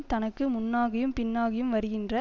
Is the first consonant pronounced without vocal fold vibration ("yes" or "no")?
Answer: yes